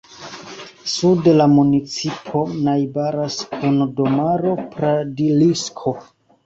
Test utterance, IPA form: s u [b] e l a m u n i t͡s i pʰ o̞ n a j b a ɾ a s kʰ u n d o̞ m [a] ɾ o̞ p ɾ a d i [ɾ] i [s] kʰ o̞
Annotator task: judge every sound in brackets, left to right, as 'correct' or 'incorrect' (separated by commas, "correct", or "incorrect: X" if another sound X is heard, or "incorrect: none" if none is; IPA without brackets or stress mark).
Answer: incorrect: d, correct, incorrect: l, correct